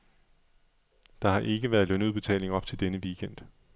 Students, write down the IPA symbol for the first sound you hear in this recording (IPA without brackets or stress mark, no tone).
d̥